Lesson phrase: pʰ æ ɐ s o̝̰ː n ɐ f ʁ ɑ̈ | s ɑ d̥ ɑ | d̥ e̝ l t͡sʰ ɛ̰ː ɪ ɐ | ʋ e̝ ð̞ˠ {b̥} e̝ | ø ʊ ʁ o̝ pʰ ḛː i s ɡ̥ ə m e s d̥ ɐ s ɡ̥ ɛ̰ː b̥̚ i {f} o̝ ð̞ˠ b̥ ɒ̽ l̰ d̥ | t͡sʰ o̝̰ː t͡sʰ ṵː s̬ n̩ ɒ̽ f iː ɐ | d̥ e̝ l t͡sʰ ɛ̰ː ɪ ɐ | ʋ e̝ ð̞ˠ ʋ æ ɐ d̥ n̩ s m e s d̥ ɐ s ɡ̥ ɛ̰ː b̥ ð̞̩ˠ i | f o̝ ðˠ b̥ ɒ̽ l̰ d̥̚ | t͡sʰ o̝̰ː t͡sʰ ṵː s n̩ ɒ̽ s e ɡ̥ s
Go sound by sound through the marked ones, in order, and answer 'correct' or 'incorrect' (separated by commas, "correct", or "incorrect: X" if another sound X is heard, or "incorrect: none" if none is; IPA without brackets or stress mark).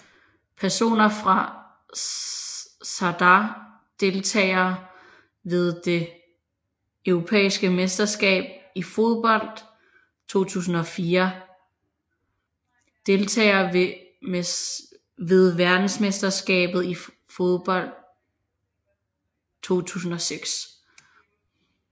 incorrect: d̥, correct